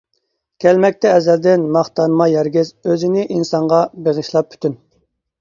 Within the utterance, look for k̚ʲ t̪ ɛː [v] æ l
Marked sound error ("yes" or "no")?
yes